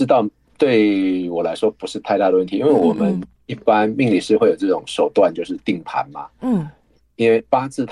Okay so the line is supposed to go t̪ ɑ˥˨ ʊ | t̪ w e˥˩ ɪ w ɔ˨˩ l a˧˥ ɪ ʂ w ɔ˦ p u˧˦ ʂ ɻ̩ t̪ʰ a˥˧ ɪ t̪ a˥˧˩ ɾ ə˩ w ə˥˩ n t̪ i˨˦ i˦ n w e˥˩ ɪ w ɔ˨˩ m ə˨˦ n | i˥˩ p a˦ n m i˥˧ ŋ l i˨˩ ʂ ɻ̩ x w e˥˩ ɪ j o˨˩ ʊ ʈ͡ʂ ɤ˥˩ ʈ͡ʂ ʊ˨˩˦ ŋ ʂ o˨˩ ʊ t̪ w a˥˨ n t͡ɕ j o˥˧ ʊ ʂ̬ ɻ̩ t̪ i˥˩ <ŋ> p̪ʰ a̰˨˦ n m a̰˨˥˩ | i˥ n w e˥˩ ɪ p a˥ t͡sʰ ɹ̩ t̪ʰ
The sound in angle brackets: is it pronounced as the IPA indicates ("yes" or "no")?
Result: yes